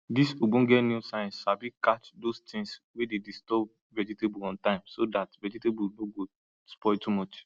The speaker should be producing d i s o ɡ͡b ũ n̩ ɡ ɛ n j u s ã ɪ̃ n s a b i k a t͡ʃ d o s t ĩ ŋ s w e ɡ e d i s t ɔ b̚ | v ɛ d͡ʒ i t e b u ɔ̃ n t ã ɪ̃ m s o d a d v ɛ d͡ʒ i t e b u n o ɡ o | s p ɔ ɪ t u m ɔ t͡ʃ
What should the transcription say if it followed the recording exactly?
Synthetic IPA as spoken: d i s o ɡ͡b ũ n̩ ɡ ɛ n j u s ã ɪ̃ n s a b i k a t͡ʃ d o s t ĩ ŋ s w e d e d i s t ɔ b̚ | v ɛ d͡ʒ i t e b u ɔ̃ n t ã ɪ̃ m s o d a t v ɛ d͡ʒ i t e b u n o ɡ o | s p ɔ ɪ t u m ɔ t͡ʃ